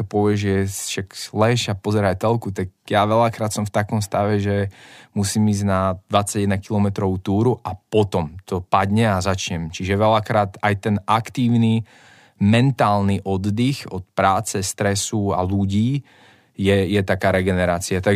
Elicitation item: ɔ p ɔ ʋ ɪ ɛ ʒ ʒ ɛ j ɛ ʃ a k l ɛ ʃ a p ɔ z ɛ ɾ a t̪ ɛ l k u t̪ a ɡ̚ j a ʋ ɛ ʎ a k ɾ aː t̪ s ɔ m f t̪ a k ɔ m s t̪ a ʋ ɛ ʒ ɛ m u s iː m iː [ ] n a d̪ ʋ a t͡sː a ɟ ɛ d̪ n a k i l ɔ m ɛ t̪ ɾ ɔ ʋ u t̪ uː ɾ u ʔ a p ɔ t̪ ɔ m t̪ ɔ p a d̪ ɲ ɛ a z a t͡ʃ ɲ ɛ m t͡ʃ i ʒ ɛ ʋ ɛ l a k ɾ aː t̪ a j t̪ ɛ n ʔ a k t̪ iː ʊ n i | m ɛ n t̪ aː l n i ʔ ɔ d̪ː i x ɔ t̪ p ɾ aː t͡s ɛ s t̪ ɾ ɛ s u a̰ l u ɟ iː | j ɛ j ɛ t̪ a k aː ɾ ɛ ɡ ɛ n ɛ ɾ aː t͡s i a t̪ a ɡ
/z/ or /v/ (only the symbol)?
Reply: z